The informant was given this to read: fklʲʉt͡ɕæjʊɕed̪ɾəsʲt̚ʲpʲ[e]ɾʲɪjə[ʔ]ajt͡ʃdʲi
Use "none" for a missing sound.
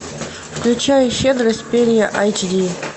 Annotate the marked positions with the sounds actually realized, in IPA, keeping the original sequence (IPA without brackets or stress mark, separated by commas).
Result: e, ʔ